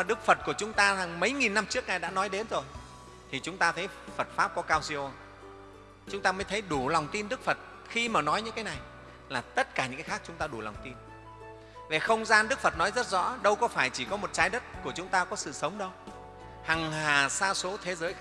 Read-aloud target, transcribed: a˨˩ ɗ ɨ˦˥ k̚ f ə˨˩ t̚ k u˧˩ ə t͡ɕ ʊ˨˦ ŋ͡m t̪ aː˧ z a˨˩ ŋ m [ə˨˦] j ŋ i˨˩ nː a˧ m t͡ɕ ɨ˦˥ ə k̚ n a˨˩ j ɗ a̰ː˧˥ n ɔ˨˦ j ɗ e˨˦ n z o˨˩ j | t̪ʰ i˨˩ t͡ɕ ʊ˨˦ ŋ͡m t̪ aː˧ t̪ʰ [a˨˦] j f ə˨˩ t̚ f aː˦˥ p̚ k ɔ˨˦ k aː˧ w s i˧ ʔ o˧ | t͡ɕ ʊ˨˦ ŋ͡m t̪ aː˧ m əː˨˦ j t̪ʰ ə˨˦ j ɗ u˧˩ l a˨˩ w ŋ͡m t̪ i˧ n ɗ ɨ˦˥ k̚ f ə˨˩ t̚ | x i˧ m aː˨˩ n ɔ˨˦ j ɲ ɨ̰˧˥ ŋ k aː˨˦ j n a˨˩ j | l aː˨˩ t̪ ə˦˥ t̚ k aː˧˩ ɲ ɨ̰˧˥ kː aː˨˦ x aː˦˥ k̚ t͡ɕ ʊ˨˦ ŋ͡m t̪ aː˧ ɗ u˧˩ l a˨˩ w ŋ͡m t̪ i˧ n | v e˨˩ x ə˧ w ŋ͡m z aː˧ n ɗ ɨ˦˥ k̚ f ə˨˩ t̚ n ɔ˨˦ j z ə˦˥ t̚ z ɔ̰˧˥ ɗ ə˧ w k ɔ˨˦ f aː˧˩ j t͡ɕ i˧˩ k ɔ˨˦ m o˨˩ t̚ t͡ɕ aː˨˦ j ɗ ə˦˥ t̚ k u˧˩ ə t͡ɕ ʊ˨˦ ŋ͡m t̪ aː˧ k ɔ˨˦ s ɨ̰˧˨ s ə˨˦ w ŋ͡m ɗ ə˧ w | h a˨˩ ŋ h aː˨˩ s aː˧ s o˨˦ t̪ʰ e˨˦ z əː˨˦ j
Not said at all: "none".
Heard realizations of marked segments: ə˨˦, ə˨˦

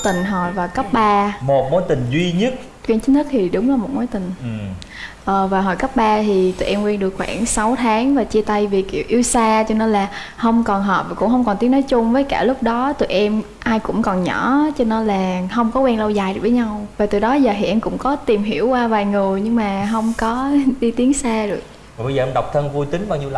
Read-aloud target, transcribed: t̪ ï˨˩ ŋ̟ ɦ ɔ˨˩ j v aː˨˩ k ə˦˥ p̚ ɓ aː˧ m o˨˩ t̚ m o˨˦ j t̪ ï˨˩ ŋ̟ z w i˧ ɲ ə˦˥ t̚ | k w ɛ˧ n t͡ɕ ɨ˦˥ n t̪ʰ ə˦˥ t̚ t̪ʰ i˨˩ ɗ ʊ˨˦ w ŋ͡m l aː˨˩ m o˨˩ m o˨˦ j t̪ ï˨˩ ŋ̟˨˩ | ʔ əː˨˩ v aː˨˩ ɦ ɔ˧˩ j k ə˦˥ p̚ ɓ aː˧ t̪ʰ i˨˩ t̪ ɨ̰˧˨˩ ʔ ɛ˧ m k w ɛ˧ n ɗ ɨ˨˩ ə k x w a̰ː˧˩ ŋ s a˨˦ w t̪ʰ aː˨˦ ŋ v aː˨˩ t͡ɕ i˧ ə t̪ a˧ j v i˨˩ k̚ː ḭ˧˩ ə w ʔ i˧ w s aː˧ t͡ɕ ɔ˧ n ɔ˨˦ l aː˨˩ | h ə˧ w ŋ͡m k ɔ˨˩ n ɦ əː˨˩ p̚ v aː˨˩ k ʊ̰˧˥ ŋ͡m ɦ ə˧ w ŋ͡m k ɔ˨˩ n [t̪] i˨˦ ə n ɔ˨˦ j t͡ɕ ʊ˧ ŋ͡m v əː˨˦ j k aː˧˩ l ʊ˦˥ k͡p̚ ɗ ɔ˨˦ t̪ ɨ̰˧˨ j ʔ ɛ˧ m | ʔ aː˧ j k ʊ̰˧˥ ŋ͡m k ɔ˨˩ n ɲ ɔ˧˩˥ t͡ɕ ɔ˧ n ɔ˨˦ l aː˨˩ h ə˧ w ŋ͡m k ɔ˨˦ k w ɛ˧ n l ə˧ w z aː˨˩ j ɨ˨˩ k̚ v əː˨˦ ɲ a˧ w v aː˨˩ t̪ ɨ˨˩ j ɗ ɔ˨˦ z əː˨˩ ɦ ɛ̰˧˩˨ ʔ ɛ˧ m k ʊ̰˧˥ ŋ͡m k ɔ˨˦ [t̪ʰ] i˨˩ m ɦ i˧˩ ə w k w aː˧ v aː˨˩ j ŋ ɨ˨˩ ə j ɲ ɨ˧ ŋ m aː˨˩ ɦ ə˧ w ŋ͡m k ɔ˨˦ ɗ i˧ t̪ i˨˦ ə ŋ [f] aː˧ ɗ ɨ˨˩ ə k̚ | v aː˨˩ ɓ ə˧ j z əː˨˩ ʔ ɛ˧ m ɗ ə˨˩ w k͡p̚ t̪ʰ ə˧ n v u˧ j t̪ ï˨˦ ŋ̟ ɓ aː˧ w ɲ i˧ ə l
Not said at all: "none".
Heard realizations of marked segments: t̪, t̪, s

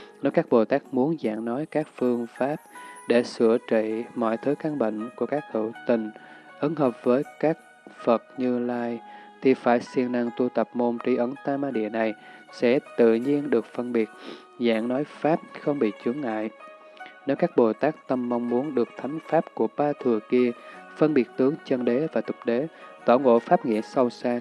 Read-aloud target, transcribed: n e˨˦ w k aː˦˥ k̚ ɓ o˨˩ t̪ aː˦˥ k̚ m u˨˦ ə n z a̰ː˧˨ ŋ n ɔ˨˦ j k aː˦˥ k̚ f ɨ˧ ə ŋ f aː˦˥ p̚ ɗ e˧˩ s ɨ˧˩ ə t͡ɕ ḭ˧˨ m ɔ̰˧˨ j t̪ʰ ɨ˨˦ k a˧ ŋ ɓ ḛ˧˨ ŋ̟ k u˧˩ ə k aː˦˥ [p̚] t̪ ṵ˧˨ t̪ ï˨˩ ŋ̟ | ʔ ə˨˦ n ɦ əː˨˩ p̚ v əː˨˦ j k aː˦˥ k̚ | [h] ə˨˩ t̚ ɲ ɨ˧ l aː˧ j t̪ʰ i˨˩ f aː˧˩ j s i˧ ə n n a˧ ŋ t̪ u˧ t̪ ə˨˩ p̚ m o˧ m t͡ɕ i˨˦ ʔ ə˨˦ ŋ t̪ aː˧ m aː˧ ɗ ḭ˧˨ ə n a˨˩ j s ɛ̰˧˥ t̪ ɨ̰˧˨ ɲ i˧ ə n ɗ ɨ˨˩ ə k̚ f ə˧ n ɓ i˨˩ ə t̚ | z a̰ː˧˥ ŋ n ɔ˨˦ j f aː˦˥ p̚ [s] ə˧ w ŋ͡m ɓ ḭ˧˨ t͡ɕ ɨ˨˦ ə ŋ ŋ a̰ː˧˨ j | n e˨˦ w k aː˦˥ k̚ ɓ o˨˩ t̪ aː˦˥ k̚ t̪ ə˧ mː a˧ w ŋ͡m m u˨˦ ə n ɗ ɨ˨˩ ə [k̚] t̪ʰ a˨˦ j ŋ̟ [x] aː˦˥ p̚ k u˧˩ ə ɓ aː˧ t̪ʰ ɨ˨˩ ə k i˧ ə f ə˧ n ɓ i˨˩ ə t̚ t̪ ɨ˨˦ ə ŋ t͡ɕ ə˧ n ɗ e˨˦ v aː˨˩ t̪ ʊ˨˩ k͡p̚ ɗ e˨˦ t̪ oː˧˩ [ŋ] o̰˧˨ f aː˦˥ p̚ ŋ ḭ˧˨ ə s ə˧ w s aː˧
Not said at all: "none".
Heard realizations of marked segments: k̚, f, x, k̚, f, ŋ

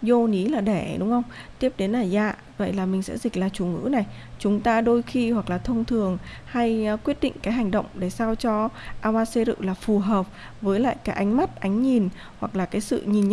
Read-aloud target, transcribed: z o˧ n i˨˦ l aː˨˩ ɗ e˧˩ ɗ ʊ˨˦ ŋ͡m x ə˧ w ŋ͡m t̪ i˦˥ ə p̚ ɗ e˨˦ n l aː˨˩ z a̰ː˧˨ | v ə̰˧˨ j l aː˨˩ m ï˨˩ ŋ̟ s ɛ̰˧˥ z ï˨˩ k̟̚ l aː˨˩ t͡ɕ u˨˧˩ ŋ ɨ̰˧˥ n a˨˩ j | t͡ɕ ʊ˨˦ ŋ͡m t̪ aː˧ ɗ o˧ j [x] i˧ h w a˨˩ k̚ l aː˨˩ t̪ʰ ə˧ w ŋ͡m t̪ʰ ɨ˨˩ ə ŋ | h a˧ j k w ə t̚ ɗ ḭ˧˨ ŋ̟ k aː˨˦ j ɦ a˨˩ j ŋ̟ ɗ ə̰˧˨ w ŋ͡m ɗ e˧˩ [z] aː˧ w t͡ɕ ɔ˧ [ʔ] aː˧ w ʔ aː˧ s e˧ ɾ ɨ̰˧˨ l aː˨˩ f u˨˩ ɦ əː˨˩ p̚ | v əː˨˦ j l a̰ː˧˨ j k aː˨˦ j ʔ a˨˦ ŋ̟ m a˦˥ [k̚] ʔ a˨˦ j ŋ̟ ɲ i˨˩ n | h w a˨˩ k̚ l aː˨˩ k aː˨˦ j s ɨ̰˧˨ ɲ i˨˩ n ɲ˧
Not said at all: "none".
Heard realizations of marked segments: x, s, ʔ, t̚

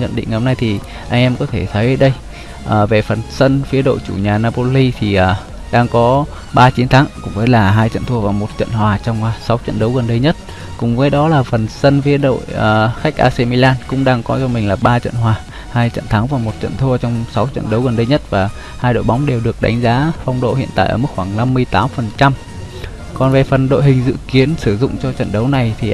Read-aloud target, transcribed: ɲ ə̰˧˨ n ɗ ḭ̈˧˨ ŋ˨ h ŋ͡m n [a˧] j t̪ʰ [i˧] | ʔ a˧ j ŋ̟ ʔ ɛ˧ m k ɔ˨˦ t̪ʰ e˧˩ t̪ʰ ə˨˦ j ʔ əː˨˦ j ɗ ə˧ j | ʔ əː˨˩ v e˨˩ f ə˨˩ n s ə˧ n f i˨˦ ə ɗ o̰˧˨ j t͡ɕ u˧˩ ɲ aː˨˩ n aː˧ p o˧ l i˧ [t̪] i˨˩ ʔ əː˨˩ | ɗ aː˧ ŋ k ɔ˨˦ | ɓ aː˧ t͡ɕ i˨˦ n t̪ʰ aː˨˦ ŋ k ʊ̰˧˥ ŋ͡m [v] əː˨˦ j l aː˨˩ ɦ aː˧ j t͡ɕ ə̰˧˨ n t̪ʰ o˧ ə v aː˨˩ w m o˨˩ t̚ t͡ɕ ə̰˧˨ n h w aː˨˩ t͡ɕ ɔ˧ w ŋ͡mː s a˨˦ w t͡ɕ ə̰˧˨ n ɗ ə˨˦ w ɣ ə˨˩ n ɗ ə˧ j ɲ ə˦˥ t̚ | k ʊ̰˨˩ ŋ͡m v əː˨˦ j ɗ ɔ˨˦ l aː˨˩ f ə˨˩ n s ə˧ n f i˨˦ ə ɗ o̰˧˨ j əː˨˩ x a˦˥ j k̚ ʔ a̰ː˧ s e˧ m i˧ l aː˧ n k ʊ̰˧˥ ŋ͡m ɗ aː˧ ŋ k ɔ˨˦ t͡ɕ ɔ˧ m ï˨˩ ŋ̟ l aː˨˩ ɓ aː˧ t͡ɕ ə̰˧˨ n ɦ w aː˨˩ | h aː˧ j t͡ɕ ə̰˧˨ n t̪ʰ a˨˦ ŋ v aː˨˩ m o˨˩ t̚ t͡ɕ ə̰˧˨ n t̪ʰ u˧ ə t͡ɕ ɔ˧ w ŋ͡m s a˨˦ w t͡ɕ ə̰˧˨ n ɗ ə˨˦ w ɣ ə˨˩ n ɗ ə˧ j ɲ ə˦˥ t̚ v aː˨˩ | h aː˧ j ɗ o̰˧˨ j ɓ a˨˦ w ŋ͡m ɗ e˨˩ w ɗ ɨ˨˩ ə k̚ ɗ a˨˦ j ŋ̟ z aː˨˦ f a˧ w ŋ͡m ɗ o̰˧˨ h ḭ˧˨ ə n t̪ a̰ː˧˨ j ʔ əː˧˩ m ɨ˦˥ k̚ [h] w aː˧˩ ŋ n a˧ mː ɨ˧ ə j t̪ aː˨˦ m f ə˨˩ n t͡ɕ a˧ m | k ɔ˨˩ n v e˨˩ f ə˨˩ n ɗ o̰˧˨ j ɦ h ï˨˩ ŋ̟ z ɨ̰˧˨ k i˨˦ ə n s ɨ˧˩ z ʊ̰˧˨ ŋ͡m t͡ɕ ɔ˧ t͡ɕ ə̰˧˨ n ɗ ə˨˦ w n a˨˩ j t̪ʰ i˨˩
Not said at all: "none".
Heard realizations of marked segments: a˧, i˨˩, t̪ʰ, v, x

